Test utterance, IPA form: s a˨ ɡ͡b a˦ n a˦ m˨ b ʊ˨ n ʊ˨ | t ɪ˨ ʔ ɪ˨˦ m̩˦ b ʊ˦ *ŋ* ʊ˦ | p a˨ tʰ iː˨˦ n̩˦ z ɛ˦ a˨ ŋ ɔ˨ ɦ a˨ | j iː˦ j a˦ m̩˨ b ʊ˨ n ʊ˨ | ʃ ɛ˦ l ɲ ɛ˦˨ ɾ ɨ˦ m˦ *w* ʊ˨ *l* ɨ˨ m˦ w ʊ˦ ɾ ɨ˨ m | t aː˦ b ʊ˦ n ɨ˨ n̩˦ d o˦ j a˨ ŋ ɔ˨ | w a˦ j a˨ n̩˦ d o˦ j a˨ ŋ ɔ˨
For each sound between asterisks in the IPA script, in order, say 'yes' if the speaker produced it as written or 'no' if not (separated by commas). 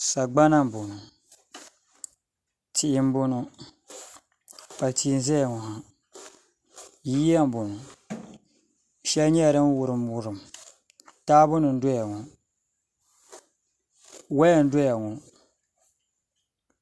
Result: no, yes, no